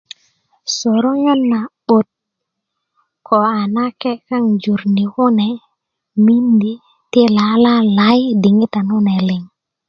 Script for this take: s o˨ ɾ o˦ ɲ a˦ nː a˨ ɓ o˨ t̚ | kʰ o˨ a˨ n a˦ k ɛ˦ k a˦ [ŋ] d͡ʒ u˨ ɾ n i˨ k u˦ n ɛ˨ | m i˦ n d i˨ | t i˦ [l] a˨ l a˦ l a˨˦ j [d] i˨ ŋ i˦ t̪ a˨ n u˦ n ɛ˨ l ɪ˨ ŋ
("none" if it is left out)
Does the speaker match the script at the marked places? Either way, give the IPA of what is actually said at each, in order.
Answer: ŋ, l, d

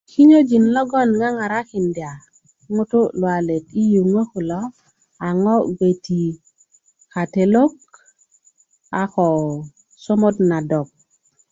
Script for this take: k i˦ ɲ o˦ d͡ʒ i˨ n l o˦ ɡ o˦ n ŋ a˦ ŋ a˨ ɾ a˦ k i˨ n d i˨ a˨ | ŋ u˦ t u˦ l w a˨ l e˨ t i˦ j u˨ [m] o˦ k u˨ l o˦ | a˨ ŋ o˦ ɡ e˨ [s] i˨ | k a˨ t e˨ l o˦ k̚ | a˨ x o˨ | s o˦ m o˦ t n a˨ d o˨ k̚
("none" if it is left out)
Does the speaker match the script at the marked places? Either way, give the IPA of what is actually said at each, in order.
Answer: ŋ, t

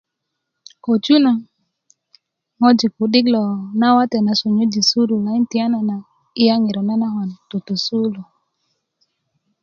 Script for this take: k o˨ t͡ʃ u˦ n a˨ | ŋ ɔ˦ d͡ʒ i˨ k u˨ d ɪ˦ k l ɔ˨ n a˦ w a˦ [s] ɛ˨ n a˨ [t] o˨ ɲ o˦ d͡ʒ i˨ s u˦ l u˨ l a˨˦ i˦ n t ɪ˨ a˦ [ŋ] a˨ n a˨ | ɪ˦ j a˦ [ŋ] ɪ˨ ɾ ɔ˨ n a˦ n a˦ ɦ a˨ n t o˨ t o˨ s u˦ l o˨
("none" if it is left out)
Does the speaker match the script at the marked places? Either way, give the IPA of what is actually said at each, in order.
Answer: t, s, n, ŋ

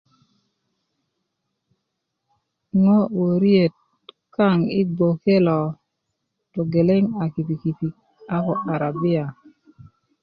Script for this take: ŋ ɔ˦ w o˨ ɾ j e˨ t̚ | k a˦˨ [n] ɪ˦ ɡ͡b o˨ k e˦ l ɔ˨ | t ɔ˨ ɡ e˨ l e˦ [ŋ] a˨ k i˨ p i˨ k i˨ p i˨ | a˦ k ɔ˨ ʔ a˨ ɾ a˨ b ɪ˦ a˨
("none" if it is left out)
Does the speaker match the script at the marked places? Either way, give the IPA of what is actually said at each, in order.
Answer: ŋ, ŋ

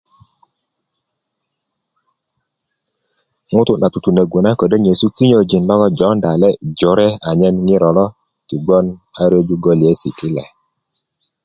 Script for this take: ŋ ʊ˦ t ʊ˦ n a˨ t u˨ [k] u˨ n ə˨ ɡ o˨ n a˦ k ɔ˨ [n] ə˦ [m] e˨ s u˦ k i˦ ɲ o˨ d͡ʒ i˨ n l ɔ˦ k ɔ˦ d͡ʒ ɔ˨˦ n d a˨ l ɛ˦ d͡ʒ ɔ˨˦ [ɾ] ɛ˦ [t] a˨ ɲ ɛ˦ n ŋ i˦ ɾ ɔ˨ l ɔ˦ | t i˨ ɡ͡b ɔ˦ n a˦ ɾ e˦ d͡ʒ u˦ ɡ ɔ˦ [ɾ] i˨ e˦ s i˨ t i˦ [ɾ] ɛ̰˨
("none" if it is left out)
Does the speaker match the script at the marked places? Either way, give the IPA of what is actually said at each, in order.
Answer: t, d, ɲ, ɾ, none, l, l

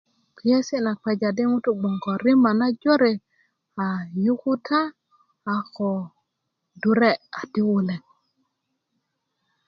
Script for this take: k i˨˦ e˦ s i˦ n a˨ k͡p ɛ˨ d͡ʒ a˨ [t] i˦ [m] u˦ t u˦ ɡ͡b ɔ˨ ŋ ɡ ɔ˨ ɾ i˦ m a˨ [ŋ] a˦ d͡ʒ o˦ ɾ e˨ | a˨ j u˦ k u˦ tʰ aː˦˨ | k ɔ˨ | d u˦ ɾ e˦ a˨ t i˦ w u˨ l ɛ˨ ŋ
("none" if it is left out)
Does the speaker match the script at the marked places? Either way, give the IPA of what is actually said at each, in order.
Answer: d, ŋ, n

